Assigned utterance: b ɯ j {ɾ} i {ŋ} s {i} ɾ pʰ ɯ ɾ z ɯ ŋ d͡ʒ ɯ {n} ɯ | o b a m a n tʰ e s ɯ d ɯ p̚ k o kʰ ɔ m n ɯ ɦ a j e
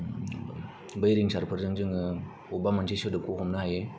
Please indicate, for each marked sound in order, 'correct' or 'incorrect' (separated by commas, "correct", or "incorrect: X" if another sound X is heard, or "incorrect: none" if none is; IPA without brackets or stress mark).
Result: correct, correct, incorrect: a, incorrect: ŋ